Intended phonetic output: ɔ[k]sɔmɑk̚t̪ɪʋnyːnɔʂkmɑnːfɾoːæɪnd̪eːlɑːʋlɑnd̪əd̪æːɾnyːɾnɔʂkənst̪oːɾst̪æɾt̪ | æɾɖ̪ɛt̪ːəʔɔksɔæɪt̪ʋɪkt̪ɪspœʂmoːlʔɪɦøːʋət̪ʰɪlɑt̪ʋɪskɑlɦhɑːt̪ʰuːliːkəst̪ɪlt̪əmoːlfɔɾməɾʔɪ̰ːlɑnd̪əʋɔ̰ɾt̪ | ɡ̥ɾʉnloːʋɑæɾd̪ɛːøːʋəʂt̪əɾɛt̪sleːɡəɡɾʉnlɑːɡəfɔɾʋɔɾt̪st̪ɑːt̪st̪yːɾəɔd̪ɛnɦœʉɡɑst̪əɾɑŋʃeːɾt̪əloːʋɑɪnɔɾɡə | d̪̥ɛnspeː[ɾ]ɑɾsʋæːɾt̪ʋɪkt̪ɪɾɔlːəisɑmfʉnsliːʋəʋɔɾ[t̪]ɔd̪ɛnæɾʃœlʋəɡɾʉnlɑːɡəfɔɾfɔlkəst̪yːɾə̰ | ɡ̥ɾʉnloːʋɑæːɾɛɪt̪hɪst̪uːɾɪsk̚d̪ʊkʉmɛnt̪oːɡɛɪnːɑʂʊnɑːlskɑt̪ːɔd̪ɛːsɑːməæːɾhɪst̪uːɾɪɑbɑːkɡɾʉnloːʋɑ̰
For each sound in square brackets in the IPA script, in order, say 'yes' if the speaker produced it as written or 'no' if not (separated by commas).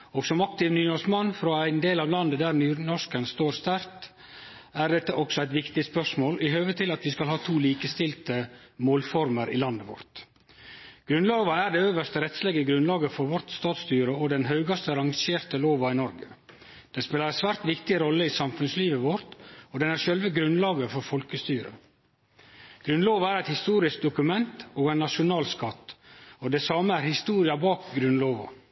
no, no, yes